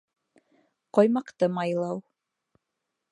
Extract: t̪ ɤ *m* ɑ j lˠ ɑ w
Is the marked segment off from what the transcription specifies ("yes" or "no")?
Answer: no